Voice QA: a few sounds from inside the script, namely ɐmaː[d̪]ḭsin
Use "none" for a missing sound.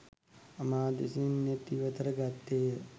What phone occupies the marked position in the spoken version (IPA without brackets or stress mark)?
d̪